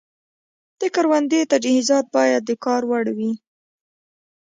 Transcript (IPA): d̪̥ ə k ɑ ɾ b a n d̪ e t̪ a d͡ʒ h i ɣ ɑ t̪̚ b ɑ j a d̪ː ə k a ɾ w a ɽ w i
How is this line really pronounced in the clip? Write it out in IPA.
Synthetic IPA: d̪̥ ə k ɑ ɾ w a n d̪ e t̪ a d͡ʒ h i z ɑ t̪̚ b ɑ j a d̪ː ə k ɑ ɾ w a ɽ w i